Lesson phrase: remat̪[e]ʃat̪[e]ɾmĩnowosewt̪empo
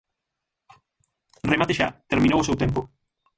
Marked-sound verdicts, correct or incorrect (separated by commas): correct, correct